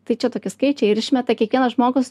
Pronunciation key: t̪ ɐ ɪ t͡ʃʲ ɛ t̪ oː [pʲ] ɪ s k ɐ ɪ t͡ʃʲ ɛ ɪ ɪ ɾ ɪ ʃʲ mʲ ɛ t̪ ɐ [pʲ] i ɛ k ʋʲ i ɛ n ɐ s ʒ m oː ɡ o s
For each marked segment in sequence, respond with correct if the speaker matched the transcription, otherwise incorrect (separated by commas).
incorrect, incorrect